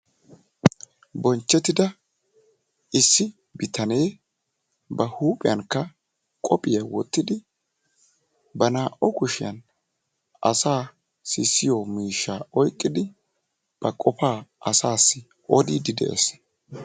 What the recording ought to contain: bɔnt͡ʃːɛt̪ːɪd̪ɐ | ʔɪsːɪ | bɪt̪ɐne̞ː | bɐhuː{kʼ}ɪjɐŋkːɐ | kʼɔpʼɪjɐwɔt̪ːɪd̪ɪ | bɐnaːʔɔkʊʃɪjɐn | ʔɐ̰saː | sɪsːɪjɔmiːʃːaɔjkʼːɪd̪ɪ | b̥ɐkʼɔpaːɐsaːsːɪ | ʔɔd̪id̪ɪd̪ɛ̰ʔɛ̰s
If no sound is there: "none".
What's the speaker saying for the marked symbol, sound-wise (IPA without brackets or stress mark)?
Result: pʼ